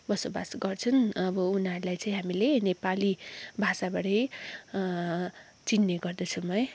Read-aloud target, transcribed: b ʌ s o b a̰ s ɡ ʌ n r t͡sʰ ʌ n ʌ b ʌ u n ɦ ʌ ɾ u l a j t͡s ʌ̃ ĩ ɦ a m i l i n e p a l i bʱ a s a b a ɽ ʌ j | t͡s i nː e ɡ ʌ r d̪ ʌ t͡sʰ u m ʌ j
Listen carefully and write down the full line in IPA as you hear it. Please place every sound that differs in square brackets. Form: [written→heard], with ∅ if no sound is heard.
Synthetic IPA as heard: b ʌ s o b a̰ s ɡ ʌ [n→∅] r t͡sʰ ʌ n ʌ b ʌ u n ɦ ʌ ɾ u l a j t͡s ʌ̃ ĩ ɦ a m i l [i→e] n e p a l i bʱ a s a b a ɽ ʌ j | t͡s i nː e ɡ ʌ r d̪ ʌ t͡sʰ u m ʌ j